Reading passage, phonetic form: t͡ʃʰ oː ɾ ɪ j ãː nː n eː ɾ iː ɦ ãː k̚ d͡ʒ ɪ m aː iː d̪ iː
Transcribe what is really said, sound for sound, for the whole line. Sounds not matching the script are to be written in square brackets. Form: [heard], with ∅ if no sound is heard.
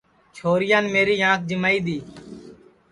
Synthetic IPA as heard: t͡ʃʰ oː ɾ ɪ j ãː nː [m] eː ɾ iː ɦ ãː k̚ d͡ʒ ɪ m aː iː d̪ iː